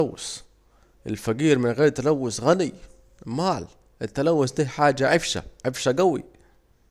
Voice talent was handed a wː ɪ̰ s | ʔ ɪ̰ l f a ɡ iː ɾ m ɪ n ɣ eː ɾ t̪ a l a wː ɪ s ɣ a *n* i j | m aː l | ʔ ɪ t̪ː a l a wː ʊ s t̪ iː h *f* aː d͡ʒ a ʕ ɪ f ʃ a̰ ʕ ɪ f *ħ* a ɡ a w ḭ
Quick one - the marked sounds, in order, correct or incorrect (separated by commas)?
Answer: correct, incorrect, incorrect